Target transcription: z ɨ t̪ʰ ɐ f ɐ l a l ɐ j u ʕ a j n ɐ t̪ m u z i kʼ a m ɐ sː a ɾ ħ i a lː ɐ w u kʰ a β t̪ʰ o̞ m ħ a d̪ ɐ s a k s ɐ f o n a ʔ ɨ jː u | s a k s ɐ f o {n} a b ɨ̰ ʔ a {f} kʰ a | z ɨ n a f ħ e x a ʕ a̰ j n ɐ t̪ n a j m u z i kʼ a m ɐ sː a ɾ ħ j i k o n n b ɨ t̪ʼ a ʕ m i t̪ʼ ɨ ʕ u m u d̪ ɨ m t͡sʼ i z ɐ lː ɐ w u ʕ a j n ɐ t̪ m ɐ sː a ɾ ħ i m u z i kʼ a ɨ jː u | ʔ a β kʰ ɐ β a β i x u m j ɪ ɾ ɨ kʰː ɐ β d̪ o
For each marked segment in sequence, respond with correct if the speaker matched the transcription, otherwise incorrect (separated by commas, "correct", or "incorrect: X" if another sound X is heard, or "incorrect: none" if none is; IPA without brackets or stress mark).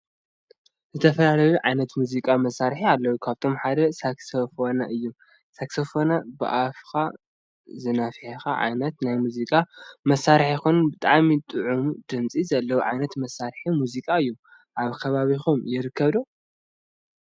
correct, correct